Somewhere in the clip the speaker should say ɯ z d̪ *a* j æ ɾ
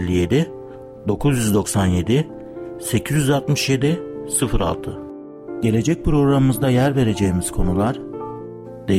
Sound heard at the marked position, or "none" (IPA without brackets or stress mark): a